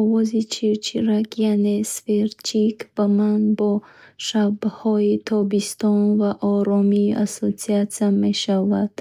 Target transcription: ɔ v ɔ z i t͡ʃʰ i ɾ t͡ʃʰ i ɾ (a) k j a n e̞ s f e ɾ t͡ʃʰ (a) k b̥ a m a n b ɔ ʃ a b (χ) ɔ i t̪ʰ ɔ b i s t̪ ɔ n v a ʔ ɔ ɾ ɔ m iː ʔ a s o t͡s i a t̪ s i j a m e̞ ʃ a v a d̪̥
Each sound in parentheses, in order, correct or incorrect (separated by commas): correct, incorrect, incorrect